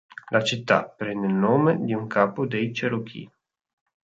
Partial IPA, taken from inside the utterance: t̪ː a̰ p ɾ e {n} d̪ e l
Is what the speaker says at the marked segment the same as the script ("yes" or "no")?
yes